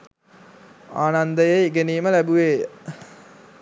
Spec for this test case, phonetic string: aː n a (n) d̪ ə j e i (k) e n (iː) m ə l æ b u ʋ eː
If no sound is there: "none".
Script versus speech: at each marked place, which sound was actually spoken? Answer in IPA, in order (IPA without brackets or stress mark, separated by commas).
n, ɡ, iː